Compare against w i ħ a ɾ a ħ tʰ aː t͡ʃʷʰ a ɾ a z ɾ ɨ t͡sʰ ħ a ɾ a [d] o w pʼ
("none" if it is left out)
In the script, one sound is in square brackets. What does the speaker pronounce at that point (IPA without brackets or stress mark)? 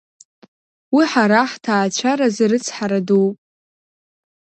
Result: d